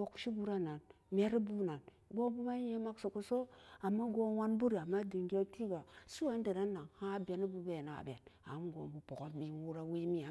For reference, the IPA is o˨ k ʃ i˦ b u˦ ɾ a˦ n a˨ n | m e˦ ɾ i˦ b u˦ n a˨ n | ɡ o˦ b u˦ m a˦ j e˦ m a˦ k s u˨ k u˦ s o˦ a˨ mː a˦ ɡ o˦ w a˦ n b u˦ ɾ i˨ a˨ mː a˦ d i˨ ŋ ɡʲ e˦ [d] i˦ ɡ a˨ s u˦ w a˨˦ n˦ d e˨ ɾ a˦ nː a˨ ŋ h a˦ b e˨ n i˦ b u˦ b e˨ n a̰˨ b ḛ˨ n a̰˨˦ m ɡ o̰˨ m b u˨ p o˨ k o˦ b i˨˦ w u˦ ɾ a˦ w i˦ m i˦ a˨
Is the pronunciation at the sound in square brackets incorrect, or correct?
incorrect